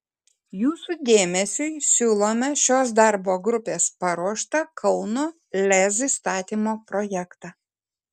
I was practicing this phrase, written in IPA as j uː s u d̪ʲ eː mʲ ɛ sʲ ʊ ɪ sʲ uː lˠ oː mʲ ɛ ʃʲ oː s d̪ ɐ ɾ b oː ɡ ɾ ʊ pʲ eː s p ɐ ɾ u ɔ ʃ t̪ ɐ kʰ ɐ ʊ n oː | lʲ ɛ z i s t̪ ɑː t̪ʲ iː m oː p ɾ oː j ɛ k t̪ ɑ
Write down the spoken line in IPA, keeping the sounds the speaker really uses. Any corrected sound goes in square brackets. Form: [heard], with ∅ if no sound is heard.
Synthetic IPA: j uː s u d̪ʲ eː mʲ ɛ sʲ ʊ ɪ sʲ uː lˠ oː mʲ ɛ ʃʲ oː s d̪ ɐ ɾ b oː ɡ ɾ ʊ pʲ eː s p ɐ ɾ u ɔ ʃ t̪ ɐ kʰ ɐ ʊ n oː | lʲ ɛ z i s t̪ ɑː t̪ʲ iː m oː p ɾ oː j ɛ k t̪ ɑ

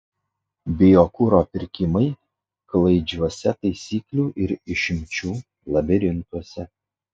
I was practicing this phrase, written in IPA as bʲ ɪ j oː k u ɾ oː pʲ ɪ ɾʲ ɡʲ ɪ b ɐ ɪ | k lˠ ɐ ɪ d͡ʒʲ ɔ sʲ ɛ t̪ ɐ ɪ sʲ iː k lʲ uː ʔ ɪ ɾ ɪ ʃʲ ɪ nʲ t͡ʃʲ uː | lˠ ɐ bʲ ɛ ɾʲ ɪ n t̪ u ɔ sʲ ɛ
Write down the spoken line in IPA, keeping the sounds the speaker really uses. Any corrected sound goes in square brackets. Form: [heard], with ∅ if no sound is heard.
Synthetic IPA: bʲ ɪ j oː k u ɾ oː pʲ ɪ ɾʲ [kʲ] ɪ [m] ɐ ɪ | k lˠ ɐ ɪ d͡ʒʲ ɔ sʲ ɛ t̪ ɐ ɪ sʲ iː k lʲ uː ʔ ɪ ɾ ɪ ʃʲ ɪ [mʲ] t͡ʃʲ uː | lˠ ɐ bʲ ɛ ɾʲ ɪ n t̪ u ɔ sʲ ɛ

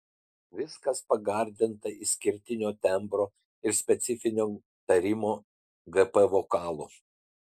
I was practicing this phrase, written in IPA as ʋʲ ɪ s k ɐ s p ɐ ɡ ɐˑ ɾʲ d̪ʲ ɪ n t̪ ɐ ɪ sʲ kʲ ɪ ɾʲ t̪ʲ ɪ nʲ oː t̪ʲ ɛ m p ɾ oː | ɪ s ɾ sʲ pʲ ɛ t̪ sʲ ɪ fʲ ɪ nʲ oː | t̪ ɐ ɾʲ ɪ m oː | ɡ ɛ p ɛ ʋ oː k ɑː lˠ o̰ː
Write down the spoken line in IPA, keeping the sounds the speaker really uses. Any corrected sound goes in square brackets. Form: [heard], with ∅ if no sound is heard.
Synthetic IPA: ʋʲ ɪ s k ɐ s p ɐ ɡ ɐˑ ɾʲ d̪ʲ ɪ n t̪ ɐ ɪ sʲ kʲ ɪ ɾʲ t̪ʲ ɪ nʲ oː t̪ʲ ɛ m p ɾ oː | ɪ [∅] ɾ sʲ pʲ ɛ t̪ sʲ ɪ fʲ ɪ nʲ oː | t̪ ɐ ɾʲ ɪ m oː | ɡ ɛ p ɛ ʋ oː k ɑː lˠ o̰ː

